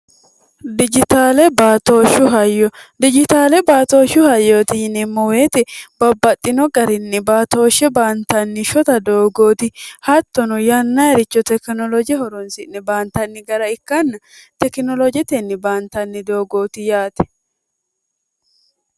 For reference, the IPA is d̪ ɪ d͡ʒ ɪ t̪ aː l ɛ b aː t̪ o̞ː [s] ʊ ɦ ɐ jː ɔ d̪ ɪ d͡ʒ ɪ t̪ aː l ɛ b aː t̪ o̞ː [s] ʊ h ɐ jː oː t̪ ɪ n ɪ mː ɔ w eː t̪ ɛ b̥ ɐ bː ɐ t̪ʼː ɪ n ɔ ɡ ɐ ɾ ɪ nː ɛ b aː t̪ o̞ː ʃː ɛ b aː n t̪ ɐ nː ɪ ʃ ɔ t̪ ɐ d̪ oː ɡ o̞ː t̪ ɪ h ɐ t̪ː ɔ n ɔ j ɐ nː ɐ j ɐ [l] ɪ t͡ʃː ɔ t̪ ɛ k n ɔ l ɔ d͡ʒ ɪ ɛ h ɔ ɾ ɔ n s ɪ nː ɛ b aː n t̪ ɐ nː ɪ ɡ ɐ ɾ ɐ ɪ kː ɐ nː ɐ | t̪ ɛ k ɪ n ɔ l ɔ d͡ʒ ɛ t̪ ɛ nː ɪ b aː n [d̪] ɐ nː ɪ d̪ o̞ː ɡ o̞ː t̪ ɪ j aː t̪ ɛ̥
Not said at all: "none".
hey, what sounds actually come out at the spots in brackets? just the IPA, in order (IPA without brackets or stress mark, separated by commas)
ʃ, ʃ, ɾ, t̪